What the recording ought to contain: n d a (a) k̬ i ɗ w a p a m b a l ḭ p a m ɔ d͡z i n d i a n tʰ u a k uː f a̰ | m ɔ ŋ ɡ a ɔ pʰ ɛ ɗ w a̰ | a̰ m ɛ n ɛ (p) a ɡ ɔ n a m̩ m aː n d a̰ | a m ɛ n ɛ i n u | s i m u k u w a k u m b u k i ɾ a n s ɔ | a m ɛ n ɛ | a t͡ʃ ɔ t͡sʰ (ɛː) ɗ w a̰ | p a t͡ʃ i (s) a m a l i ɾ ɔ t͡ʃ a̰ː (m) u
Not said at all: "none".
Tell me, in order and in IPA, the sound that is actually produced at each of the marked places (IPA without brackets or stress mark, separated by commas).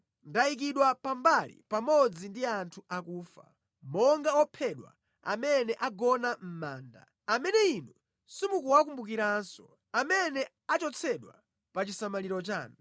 i, ʔ, ɛ, s, n